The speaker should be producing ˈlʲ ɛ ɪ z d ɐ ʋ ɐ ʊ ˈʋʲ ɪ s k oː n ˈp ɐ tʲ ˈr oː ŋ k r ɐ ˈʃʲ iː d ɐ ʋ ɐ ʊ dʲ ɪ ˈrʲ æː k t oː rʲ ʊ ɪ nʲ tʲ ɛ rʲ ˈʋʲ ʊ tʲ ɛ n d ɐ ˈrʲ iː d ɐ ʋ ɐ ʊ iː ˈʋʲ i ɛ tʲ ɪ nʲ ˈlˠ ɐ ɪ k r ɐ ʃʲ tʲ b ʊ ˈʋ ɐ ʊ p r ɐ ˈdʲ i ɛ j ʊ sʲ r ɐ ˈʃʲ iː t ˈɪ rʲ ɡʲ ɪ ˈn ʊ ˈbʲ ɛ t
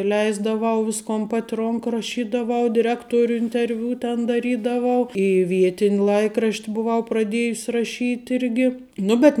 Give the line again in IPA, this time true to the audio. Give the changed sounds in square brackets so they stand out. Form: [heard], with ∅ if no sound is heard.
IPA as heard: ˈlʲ ɛ ɪ z d ɐ ʋ ɐ ʊ ˈʋʲ ɪ s k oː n ˈp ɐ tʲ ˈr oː ŋ k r ɐ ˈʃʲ iː d ɐ ʋ ɐ ʊ dʲ ɪ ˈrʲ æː k t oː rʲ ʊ ɪ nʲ tʲ ɛ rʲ ˈʋʲ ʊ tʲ ɛ n d ɐ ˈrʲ iː d ɐ ʋ ɐ ʊ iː ˈʋʲ i ɛ tʲ ɪ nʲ ˈlˠ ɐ ɪ k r ɐ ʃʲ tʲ b ʊ ˈʋ ɐ ʊ p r ɐ ˈdʲ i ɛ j ʊ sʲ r ɐ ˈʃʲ iː t ˈɪ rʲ ɡʲ ɪ ˈn ʊ ˈbʲ ɛ t